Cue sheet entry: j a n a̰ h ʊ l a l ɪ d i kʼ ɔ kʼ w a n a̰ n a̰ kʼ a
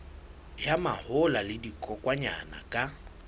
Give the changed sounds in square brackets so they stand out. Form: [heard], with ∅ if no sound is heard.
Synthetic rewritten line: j a [m] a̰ h ʊ l a l ɪ d i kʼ ɔ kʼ w a [ɲ] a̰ n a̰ kʼ a